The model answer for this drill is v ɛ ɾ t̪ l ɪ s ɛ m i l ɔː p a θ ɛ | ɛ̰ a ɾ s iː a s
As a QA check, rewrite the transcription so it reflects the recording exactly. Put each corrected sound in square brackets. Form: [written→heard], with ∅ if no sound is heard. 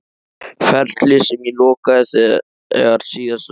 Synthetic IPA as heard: [v→f] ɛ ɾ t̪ l ɪ s ɛ m i l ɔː [p→k] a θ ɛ | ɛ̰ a ɾ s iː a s